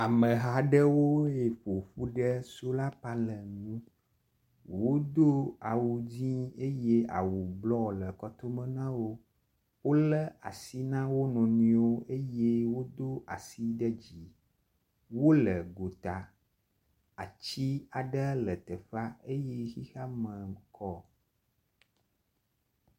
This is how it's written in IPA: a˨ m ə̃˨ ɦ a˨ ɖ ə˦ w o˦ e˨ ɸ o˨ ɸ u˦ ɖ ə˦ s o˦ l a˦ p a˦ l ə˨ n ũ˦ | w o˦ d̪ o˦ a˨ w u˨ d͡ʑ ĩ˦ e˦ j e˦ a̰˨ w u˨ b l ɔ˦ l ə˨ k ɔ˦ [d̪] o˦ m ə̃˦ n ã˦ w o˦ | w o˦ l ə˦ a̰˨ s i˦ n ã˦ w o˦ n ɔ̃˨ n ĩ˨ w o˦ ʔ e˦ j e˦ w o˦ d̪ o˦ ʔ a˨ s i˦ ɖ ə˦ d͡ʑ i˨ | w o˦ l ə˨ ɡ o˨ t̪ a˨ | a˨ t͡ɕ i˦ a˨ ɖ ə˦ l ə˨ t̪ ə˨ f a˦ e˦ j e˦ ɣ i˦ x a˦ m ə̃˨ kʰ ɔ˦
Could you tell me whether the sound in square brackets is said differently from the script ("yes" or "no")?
yes